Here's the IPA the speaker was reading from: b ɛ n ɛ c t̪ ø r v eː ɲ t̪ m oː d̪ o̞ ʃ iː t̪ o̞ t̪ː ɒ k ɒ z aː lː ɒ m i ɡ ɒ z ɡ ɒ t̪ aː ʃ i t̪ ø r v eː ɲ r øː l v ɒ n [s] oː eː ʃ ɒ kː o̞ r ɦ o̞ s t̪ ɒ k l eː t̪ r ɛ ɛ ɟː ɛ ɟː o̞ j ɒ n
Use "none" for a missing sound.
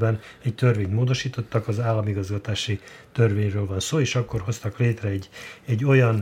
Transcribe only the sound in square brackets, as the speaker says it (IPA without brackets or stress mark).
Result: s